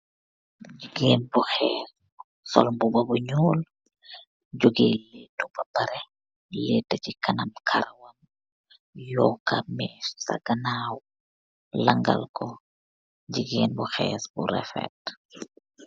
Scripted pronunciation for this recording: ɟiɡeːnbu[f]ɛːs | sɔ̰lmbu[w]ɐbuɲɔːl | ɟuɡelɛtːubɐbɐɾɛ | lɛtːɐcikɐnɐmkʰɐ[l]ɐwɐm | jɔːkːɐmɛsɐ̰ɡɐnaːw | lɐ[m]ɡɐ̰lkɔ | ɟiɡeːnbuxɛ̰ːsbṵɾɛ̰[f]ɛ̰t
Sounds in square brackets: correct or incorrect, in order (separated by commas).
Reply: incorrect, incorrect, incorrect, incorrect, correct